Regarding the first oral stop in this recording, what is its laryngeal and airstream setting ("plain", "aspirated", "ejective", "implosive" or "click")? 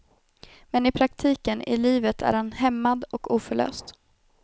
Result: aspirated